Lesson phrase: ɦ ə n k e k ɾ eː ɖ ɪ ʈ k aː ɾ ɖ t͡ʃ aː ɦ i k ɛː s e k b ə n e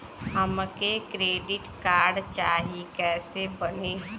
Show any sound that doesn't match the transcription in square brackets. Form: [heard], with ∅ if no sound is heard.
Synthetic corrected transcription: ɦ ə [m] k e k ɾ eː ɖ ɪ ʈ k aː ɾ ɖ t͡ʃ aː ɦ i k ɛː s e [∅] b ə n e